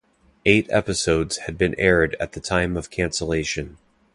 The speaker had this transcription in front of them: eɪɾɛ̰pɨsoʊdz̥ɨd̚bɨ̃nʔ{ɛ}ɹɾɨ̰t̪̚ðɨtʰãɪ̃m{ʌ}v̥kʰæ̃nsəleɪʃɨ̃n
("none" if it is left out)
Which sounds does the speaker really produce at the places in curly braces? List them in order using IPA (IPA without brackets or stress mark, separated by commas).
ɛ, ʌ